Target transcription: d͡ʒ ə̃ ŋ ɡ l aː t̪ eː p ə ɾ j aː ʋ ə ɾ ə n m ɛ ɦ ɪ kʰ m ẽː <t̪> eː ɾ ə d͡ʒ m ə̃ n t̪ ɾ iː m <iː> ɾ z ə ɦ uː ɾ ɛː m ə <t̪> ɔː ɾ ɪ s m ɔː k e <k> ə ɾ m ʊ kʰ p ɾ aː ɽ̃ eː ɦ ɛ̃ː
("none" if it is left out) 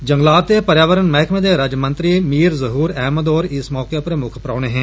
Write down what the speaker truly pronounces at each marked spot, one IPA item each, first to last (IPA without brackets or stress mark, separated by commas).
d̪, iː, d̪, p